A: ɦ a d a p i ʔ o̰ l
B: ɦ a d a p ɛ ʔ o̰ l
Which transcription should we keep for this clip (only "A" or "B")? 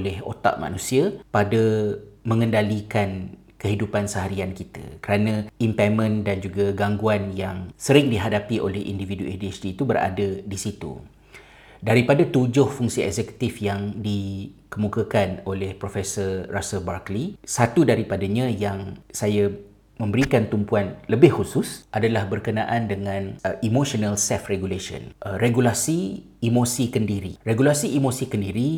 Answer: A